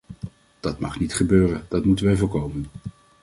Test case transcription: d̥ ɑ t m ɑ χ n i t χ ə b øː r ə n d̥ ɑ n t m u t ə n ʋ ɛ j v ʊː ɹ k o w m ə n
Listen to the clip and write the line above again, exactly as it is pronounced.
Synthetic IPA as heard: d̥ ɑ t m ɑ χ n i t χ ə b øː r ə n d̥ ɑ t m u t ə n ʋ ɛ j v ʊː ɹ k o w m ə n